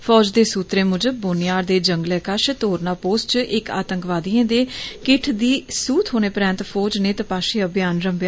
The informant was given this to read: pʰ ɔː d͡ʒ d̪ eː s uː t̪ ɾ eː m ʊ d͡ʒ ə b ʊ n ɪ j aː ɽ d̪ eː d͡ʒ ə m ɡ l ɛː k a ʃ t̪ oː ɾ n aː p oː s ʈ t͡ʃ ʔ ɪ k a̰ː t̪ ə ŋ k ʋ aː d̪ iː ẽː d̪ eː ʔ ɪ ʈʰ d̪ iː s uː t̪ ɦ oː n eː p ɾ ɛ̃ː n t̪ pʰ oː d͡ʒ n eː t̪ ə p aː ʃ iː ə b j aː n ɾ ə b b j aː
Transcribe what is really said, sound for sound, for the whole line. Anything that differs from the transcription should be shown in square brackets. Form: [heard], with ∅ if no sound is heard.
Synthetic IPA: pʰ ɔː d͡ʒ d̪ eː s uː t̪ ɾ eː m ʊ d͡ʒ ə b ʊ n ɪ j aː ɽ d̪ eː d͡ʒ ə [ŋ] ɡ l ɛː k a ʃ t̪ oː ɾ n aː p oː s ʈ t͡ʃ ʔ ɪ k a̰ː t̪ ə ŋ k ʋ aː d̪ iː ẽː d̪ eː [k] ɪ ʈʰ d̪ iː s uː t̪ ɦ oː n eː p ɾ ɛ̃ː n t̪ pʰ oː d͡ʒ n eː t̪ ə p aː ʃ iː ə b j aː n ɾ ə [m] b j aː